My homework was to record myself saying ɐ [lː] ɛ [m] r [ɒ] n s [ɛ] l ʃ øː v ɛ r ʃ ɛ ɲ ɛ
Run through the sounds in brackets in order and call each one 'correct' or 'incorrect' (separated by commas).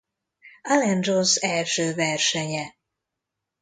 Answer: incorrect, incorrect, incorrect, correct